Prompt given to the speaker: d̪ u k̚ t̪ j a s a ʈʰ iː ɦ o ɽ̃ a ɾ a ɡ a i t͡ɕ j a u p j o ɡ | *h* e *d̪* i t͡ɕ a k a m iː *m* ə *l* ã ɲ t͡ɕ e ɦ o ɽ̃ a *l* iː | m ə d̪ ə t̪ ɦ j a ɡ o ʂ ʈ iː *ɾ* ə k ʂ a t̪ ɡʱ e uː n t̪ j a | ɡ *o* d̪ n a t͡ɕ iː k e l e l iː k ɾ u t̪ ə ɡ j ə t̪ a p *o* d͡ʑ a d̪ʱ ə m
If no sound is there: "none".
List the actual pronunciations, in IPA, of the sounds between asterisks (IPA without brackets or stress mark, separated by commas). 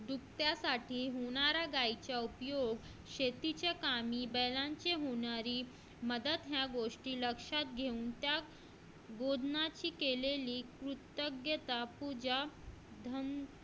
ɕ, t̪, b, l, ɾ, l, o, u